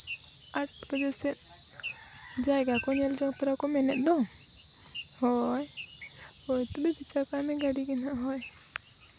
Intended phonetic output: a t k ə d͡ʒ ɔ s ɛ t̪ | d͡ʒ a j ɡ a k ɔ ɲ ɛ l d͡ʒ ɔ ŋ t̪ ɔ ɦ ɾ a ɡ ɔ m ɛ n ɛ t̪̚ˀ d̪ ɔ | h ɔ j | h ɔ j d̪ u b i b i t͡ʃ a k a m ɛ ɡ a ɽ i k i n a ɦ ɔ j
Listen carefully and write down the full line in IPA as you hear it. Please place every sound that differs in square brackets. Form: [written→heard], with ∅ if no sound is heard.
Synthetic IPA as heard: a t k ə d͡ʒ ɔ s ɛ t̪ | d͡ʒ a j ɡ a k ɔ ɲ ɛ l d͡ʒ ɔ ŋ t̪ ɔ [ɦ→∅] ɾ a [ɡ→k] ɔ m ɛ n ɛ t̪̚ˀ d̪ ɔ | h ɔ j | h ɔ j [d̪→t̪] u b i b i t͡ʃ a k a m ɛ ɡ a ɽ i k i n a ɦ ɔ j